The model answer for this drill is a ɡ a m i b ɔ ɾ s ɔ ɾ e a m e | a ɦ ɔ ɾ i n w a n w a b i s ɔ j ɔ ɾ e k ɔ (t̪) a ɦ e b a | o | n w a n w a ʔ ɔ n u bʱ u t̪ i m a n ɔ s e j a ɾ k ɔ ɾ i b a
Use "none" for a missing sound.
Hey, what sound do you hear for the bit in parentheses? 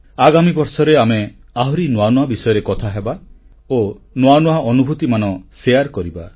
t̪ʰ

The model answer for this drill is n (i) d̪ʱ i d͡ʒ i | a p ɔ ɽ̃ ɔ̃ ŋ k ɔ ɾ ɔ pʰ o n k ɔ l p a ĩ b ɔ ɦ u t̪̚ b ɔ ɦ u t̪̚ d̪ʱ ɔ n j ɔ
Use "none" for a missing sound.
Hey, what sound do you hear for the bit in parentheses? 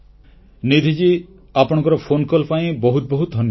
i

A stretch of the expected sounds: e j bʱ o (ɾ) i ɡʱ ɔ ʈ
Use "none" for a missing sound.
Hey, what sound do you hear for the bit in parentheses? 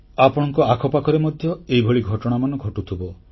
ɭ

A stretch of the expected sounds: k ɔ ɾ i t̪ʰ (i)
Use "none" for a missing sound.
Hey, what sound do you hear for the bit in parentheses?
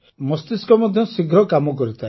a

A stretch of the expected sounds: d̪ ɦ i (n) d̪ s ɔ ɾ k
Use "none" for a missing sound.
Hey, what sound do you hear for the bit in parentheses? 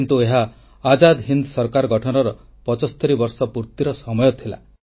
n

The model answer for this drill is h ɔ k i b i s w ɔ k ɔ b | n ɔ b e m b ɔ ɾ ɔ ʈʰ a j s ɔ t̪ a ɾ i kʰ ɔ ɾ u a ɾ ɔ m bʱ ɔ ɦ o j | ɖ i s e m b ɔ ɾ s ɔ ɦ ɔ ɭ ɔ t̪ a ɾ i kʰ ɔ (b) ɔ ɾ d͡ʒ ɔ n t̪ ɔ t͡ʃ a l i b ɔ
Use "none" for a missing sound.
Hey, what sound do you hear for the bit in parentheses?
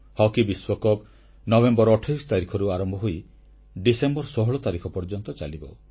p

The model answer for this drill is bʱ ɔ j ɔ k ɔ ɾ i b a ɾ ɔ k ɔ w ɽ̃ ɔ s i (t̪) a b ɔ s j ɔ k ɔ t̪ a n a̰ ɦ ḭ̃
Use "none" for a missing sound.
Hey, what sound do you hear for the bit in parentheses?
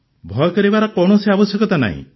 none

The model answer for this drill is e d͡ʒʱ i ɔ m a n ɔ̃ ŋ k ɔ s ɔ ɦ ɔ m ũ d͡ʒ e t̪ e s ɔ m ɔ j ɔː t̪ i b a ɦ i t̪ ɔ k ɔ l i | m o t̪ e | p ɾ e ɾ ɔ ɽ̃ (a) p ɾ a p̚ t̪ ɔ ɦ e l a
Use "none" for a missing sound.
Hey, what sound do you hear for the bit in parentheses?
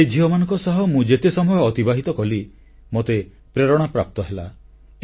a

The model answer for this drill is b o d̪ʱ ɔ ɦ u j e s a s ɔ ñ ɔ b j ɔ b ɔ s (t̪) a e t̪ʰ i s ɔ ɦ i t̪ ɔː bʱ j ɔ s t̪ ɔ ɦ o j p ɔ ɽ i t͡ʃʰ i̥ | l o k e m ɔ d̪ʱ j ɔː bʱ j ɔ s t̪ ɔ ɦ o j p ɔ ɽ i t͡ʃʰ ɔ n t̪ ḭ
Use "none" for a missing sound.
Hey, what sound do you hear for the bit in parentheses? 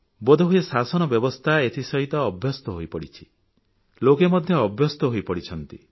t̪ʰ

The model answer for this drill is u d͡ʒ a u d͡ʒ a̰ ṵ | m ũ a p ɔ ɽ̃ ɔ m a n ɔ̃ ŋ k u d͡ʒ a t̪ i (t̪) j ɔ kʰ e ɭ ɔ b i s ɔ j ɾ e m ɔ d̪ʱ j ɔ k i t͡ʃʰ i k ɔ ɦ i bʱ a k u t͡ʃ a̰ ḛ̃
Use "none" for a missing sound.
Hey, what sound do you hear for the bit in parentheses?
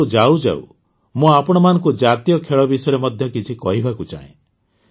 none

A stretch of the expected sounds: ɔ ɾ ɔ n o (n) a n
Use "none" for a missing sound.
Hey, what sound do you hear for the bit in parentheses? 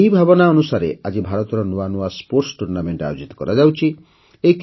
none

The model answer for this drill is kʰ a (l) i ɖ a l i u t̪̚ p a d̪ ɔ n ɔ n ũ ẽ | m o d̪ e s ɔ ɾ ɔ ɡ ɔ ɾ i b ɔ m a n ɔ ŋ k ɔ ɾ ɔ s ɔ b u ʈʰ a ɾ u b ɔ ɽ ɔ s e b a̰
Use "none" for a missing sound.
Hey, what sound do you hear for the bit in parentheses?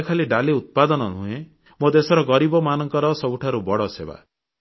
l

